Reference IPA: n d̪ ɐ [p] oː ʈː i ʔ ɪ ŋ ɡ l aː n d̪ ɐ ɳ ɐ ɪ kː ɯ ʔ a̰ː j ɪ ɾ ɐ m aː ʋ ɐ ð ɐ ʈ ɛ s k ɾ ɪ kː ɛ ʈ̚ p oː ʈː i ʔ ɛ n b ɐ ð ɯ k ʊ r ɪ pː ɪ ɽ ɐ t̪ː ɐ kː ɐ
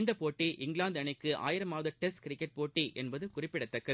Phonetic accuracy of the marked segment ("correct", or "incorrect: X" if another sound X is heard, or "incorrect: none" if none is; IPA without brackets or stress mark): correct